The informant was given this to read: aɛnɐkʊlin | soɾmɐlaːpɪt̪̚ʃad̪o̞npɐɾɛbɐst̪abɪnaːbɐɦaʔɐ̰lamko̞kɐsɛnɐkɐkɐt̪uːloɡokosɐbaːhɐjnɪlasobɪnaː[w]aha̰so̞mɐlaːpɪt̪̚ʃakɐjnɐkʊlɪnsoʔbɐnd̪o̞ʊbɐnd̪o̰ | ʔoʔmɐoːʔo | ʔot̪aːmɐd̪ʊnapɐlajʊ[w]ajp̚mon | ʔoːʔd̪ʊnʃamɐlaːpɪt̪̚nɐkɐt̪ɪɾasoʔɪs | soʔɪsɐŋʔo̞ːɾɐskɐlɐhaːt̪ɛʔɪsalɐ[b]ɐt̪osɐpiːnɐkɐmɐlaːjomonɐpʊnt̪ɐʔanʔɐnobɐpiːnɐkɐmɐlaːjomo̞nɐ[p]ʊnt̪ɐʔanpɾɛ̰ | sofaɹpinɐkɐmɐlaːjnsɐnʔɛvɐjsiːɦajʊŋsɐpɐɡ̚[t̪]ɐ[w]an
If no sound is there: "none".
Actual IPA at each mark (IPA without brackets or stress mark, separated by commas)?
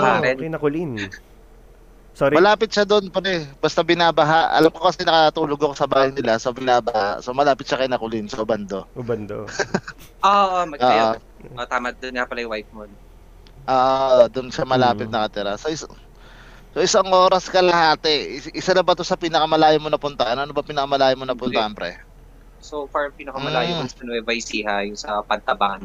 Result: b, w, b, p, t̪, b